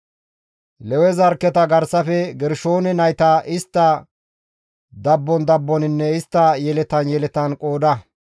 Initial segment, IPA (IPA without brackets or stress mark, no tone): l